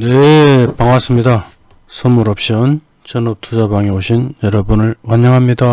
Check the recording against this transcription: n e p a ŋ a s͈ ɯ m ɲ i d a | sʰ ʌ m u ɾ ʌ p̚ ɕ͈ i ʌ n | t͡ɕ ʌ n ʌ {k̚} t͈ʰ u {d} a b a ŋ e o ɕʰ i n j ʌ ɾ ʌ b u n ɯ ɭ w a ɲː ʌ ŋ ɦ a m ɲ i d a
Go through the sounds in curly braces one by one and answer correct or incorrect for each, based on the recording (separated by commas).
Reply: incorrect, incorrect